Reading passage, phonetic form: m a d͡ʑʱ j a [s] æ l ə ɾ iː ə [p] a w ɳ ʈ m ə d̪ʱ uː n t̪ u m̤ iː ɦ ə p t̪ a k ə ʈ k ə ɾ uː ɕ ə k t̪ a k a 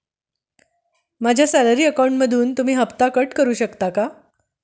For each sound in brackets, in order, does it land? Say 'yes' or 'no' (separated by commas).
yes, no